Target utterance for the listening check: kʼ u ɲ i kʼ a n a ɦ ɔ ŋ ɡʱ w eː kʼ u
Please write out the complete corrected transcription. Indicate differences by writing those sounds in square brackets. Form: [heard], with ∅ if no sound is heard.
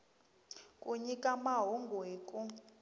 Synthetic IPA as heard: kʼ u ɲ i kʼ a [m] a ɦ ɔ ŋ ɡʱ w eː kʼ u

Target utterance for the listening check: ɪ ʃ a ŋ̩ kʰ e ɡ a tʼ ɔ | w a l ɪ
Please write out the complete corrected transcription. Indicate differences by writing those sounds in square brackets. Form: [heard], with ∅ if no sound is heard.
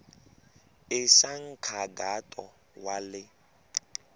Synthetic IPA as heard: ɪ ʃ a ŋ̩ kʰ [a] ɡ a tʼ ɔ | w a l ɪ

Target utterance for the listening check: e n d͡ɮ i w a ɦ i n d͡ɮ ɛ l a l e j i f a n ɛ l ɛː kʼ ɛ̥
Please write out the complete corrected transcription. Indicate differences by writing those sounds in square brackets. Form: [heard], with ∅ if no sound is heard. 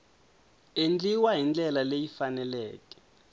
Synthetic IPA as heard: e n d͡ɮ i w a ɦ i n d͡ɮ ɛ l a l e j i f a n ɛ l ɛː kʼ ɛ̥

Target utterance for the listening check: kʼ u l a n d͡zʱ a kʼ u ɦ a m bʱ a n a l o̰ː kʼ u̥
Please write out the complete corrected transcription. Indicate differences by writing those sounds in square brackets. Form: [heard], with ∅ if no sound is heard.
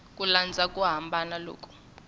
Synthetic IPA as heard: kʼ u l a n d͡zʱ a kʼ u ɦ a m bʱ a n a l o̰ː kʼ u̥

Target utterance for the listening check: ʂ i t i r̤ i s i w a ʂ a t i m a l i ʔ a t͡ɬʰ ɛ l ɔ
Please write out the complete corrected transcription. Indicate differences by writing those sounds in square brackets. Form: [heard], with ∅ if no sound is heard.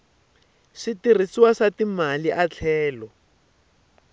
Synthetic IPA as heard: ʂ i t i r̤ i s i w a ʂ a t i m a l i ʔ a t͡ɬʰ [ɛː] l ɔ

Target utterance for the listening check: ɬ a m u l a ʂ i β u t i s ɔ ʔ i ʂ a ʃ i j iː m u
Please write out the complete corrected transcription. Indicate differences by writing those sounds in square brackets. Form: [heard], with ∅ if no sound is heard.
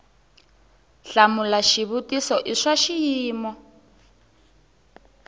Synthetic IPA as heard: ɬ a m u l a [ʃ] i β u t i s ɔ ʔ i ʂ a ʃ i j iː m [ɔ]

